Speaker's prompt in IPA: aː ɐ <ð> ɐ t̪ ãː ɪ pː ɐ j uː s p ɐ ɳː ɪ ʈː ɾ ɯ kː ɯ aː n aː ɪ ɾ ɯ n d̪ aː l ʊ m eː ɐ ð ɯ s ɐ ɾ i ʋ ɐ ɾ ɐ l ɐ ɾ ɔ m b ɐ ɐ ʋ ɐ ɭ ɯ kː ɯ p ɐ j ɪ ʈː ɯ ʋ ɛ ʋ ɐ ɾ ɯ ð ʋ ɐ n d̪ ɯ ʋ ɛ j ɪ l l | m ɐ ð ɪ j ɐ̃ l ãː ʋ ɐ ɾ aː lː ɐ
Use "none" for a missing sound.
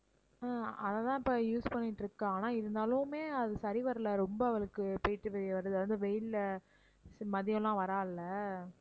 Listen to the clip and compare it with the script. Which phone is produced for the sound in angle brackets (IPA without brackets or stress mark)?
ð